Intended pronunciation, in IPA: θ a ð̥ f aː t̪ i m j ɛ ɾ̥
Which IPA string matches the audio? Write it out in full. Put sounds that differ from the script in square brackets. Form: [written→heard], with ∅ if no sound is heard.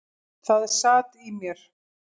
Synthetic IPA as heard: θ a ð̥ [f→s] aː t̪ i m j ɛ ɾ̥